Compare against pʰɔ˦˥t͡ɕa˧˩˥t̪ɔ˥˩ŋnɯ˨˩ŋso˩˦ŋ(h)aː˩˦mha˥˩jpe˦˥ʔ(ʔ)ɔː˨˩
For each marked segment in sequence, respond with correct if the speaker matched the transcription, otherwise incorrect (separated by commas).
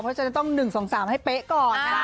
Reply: incorrect, incorrect